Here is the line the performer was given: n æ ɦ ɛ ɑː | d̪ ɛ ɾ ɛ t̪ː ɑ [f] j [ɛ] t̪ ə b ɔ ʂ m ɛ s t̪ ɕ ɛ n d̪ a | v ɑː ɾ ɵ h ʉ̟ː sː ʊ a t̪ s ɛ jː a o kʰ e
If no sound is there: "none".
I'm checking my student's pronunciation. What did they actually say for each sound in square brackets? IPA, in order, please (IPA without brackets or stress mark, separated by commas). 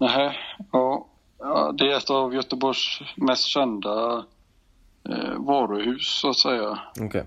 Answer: v, œ